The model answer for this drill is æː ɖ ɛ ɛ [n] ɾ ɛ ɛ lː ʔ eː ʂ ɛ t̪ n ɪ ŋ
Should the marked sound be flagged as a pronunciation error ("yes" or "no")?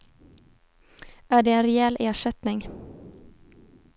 no